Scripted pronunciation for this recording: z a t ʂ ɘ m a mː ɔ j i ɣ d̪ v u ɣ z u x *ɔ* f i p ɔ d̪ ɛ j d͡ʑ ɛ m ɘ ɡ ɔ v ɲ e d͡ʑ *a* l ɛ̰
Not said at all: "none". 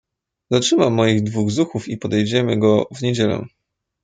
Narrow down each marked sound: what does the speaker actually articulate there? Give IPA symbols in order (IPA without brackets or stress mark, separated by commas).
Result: u, ɛ